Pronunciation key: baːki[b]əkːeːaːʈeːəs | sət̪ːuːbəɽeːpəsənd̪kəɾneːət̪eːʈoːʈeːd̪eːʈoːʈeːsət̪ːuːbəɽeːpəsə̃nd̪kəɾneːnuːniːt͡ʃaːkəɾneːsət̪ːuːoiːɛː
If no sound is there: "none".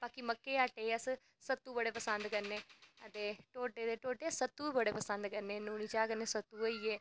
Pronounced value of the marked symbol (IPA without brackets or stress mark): m